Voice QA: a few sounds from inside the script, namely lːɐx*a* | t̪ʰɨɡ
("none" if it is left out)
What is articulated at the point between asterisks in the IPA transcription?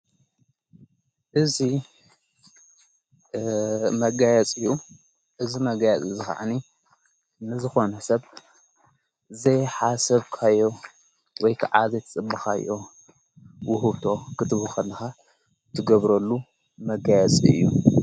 a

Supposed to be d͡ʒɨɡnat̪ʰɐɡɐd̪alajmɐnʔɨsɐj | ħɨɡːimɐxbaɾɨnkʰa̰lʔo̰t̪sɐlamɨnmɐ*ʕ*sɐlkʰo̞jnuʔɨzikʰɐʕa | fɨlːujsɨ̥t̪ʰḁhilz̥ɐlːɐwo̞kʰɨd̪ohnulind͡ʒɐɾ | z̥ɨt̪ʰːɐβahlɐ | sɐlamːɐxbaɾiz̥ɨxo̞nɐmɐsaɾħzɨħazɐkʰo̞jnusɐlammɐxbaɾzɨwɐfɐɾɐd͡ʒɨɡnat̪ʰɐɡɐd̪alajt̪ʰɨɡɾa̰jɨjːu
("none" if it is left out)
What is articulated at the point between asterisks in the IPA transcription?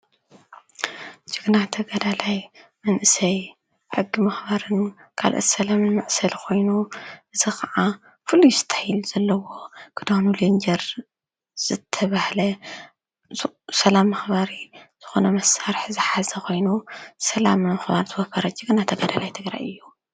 ʕ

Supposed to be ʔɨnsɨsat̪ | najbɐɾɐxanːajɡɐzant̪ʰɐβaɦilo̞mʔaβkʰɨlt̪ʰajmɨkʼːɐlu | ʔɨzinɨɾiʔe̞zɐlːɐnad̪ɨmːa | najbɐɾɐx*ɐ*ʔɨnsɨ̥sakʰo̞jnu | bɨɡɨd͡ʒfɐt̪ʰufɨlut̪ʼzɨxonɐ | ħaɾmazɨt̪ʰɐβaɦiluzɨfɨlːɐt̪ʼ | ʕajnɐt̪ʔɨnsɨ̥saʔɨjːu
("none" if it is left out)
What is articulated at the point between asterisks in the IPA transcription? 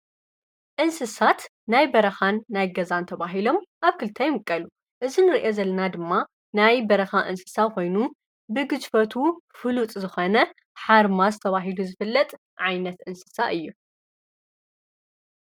a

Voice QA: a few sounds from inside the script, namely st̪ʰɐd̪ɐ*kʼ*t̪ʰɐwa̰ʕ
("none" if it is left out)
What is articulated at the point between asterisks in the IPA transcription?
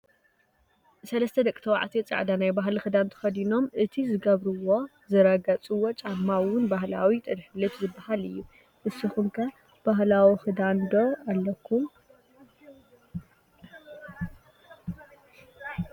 kʼ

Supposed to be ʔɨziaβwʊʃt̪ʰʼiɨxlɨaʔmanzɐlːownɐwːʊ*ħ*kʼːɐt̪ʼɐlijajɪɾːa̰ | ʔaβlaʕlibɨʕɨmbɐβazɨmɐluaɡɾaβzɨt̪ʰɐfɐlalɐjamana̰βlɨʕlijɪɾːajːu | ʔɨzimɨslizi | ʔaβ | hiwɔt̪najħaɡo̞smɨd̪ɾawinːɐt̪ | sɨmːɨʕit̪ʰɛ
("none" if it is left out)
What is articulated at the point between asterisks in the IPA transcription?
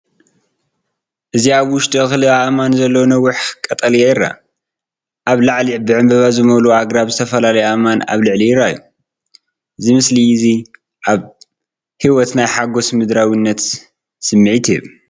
ħ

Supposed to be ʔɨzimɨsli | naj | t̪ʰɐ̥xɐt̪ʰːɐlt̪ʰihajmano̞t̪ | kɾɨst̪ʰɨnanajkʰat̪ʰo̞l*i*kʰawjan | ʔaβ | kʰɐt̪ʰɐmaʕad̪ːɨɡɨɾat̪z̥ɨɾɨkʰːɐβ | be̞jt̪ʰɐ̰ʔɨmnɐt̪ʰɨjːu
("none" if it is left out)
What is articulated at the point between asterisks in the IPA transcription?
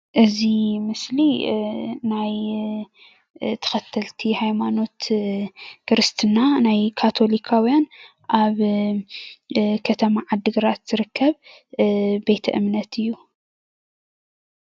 i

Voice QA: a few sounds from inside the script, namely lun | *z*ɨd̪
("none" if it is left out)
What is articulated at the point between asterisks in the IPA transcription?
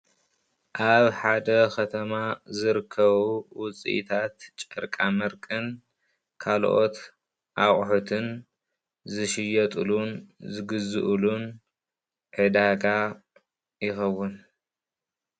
ʕ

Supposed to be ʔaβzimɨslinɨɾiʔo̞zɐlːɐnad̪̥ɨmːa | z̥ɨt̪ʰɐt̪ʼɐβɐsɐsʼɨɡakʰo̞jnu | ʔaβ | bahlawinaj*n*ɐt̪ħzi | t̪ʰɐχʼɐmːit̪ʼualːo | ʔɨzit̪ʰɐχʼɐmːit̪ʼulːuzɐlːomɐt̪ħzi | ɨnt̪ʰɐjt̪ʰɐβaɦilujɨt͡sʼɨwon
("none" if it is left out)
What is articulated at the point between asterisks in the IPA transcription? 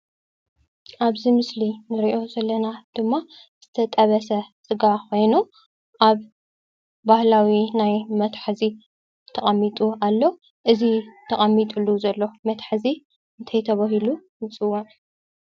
m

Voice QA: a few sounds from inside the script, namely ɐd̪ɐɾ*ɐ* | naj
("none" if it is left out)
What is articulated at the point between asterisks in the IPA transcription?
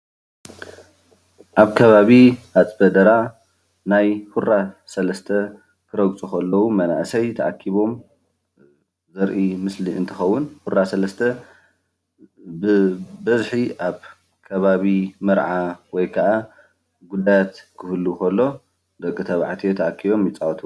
a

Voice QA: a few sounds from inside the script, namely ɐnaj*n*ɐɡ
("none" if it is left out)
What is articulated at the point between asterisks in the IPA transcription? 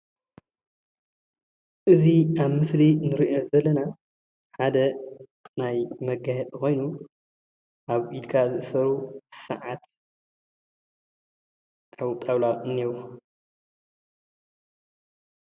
m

